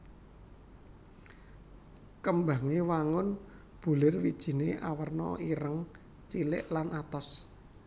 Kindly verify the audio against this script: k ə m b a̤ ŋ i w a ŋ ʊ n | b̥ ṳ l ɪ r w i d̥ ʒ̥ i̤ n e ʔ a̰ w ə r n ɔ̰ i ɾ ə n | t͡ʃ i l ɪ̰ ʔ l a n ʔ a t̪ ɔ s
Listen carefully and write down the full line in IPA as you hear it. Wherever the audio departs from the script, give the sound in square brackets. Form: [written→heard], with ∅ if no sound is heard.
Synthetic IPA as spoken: k ə m b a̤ ŋ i w a ŋ ʊ n | b̥ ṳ l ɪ r w i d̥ ʒ̥ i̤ n e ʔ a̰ w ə r n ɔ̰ i ɾ ə [n→ŋ] | t͡ʃ i l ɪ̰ ʔ l a n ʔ a t̪ ɔ s